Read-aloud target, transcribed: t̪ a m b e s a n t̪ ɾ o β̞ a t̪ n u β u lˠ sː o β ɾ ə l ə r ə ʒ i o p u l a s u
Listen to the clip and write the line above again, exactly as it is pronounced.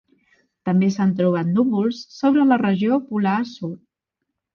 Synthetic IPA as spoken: t̪ ə m b e s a n t̪ ɾ u β̞ a t̪ n u β u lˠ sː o β ɾ ə l ə r ə ʒ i o p u l a s u